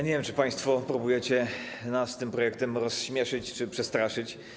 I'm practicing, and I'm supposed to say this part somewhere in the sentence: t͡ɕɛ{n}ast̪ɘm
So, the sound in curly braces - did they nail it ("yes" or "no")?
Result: yes